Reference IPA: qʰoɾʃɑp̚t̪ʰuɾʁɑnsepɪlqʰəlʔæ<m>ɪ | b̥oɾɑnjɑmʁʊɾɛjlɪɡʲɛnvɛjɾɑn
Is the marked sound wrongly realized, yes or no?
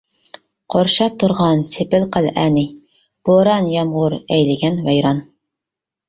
yes